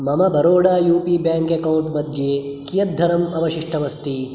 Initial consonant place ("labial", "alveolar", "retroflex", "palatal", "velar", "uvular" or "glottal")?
labial